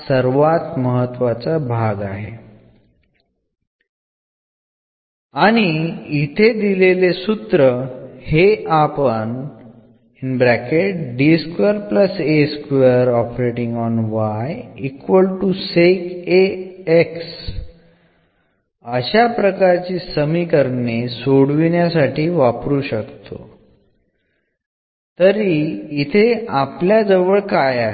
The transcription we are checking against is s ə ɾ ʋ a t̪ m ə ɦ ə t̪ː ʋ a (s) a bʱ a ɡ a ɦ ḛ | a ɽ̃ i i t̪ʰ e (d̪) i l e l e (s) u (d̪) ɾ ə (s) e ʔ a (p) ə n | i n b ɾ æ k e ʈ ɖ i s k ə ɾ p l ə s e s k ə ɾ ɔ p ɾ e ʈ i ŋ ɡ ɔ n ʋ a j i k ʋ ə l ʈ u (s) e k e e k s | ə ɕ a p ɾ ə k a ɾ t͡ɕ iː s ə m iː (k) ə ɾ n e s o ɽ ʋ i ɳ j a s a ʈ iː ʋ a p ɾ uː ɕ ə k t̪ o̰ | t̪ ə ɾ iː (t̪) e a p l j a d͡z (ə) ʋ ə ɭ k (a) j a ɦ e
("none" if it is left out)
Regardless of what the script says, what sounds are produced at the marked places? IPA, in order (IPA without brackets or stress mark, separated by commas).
t͡s, d̪, s, t̪, h, p, s, k, t̪ʰ, ə, a